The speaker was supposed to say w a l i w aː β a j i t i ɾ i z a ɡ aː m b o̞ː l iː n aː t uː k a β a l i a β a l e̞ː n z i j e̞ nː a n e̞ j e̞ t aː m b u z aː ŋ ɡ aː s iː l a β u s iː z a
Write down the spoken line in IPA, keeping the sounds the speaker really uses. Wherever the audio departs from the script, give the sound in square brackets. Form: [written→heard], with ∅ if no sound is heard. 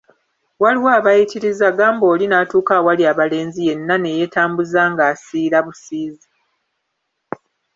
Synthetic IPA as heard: w a l i w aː β a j i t i ɾ i z a ɡ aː m b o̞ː l [iː→i] n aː t uː k a [β→w] a l i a β a l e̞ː n z i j e̞ nː a n e̞ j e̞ t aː m b u z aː ŋ ɡ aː s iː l a β u s iː z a

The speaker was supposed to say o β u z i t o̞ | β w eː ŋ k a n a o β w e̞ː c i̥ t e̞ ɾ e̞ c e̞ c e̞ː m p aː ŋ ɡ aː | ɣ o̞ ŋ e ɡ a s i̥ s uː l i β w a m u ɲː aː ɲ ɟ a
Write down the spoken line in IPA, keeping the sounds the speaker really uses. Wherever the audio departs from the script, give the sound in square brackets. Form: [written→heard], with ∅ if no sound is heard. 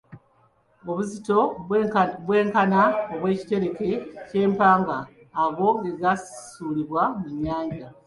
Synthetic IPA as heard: o β u z i t o̞ | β w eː ŋ k a n a o β w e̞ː c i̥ t e̞ ɾ e̞ [c→k] e̞ c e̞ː m p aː ŋ ɡ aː | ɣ o̞ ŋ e ɡ a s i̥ s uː l i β w a m u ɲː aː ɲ ɟ a

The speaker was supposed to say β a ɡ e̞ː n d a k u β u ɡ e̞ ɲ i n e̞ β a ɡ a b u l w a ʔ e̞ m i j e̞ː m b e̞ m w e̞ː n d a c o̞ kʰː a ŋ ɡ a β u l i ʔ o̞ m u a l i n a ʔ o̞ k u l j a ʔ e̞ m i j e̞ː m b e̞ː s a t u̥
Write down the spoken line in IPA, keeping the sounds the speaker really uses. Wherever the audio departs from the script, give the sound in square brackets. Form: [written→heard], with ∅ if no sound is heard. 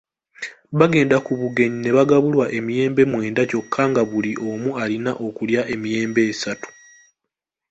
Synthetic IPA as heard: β a ɡ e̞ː n d a k u β u ɡ e̞ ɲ i n e̞ β a ɡ a [b→β] u l w a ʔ e̞ m i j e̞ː m b e̞ m w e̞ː n d a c o̞ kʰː a ŋ ɡ a β u l i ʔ o̞ m u a l i n a ʔ o̞ k u l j a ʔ e̞ m i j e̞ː m b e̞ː s a t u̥

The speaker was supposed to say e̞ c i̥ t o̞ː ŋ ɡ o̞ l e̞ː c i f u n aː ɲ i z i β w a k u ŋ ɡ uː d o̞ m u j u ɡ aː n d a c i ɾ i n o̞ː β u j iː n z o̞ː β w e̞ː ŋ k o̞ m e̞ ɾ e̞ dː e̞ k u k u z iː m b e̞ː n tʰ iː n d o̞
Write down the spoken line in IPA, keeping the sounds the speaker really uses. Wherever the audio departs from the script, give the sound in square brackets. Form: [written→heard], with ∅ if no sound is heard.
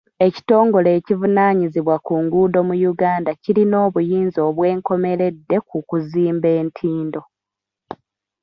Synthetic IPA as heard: e̞ c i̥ t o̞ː ŋ ɡ o̞ l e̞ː c i [f→v] u n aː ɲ i z i β w a k u ŋ ɡ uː d o̞ m u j u ɡ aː n d a c i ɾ i n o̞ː β u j iː n z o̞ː β w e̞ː ŋ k o̞ m e̞ ɾ e̞ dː e̞ k u k u z iː m b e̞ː n tʰ iː n d o̞

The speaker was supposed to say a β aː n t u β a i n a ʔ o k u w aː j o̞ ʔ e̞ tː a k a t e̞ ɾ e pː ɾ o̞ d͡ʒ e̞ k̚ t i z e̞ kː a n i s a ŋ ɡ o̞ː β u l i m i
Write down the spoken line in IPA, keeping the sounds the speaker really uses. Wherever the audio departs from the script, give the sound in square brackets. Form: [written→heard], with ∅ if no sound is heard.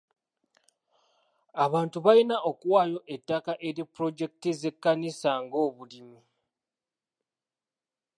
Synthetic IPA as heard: a β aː n t u β a i n a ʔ o k u w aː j o̞ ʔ e̞ tː a k a [t→ʔ] e̞ ɾ [e→i] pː ɾ o̞ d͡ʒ e̞ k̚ t i z e̞ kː a n i s a ŋ ɡ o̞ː β u l i m i

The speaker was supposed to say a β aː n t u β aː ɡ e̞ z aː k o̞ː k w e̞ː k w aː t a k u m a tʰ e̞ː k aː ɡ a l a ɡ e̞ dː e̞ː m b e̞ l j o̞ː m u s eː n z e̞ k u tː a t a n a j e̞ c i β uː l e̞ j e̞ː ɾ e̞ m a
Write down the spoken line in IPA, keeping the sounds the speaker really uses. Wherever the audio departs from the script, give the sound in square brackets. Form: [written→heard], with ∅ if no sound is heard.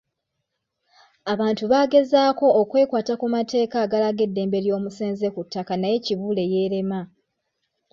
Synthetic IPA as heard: a β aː n t u β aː ɡ e̞ z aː k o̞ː k w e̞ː k w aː t a k u m a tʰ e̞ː k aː ɡ a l a ɡ e̞ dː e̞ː m b e̞ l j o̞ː m u s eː n z e̞ k u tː a [t→k] a n a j e̞ c i β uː l e̞ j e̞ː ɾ e̞ m a

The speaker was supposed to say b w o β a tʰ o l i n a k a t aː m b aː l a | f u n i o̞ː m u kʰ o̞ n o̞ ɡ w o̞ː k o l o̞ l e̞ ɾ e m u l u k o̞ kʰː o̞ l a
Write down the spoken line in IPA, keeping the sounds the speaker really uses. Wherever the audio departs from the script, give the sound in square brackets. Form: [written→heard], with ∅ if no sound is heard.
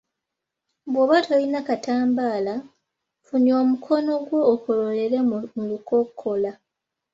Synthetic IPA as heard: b w o β a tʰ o l i n a k a t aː m b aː l a | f u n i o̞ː m u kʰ o̞ n o̞ ɡ w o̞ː k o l o̞ l e̞ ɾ e m u l u k o̞ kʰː o̞ l a

